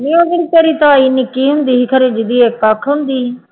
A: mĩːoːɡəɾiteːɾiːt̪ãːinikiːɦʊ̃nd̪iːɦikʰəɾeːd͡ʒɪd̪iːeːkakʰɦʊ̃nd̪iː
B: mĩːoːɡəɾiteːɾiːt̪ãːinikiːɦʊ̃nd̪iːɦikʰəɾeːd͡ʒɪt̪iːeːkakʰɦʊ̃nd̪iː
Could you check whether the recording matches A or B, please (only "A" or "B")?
A